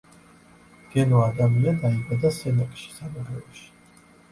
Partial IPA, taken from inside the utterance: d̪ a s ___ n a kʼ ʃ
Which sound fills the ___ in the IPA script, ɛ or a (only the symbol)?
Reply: ɛ